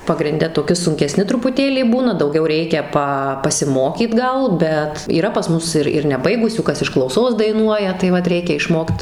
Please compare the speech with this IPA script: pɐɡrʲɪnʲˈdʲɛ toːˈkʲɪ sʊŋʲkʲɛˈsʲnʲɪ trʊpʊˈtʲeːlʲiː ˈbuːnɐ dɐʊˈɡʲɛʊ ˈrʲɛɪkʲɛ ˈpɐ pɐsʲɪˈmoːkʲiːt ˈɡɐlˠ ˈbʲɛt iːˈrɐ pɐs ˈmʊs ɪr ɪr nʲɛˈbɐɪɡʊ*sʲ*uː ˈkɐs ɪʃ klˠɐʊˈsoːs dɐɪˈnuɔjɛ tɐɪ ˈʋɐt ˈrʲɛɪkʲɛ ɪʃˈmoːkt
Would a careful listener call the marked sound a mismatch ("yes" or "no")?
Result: no